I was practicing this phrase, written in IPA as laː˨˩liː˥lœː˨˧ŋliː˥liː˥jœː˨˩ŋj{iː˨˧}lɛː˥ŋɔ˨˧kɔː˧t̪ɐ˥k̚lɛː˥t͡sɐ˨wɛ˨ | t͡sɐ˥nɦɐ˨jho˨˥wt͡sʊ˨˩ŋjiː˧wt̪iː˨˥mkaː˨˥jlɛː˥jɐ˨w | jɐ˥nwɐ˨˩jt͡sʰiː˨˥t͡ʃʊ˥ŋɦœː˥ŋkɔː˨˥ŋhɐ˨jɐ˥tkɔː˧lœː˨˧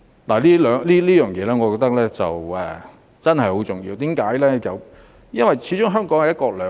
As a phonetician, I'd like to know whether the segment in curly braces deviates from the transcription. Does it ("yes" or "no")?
yes